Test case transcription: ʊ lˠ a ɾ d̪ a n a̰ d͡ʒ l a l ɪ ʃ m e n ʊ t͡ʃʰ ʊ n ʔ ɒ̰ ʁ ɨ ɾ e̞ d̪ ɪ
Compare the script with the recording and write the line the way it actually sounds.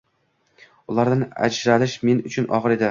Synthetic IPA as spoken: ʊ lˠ a ɾ d̪ a n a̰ d͡ʒ ɾ a l ɪ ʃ m e n ʊ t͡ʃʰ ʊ n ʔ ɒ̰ ʁ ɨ ɾ e̞ d̪ ɪ